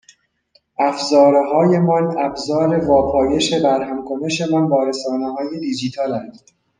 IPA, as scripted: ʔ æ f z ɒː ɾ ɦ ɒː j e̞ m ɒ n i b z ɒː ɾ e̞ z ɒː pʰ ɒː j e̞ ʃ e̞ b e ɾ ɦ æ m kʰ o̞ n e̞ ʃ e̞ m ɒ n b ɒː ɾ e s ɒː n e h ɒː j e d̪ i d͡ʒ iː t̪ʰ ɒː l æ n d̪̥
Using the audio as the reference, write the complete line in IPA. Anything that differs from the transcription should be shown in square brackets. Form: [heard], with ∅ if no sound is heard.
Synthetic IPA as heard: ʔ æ f z ɒː ɾ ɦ ɒː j e̞ m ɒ n [æ] b z ɒː ɾ e̞ [v] ɒː pʰ ɒː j e̞ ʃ e̞ b [æ] ɾ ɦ æ m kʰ o̞ n e̞ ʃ e̞ m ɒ n b ɒː ɾ e s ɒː n e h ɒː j e d̪ i d͡ʒ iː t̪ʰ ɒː l æ n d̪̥